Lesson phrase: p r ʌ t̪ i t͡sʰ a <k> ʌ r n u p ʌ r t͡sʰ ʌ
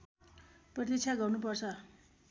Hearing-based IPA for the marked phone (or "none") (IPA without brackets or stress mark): ɡ